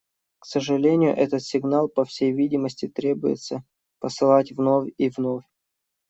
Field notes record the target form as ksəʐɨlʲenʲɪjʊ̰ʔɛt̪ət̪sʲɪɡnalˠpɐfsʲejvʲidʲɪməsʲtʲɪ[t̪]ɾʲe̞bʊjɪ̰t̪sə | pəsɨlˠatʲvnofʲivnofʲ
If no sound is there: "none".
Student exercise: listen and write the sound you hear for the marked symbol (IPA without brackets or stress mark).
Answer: t̪